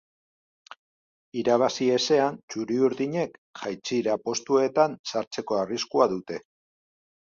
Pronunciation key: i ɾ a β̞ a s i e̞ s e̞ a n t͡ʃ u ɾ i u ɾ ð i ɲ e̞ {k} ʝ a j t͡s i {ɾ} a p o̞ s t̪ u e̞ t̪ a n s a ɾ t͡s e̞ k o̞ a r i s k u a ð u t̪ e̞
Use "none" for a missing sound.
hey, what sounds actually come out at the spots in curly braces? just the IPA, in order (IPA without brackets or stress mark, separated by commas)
k, ɾ